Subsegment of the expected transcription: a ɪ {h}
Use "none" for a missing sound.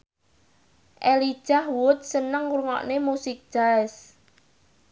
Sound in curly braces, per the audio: s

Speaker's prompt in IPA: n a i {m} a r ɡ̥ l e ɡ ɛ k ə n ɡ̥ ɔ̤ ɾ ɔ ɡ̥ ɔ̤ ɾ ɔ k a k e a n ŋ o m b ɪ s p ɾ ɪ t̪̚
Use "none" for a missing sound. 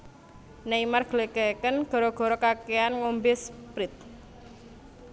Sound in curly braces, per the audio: m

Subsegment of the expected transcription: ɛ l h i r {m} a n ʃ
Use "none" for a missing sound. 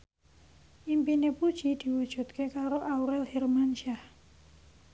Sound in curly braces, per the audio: m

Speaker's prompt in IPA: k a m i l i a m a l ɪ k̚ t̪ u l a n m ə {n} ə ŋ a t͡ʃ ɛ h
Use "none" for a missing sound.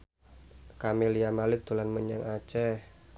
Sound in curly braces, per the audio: ɲ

